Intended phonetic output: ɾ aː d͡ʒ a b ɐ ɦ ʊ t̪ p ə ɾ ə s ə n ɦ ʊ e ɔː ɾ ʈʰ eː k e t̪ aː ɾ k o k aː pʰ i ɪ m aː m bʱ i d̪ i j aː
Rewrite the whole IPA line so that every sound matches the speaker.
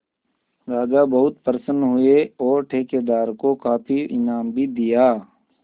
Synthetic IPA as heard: ɾ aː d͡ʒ a b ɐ ɦ ʊ t̪ p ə ɾ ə s ə n ɦ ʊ e ɔː ɾ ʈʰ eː k e d̪ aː ɾ k o k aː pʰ i ɪ n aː m bʱ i d̪ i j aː

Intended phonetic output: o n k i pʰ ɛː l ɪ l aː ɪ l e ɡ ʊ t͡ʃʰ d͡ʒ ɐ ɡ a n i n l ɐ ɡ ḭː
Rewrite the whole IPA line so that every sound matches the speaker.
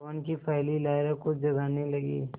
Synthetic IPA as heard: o n k i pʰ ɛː l i l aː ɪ ɾ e k ʊ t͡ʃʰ d͡ʒ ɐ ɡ a n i l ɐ ɡ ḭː

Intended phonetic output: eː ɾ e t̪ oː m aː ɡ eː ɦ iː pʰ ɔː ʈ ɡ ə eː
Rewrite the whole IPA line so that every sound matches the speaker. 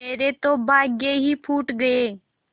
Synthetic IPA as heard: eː ɾ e t̪ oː b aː ɡ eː ɦ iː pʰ uː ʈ ɡ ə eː

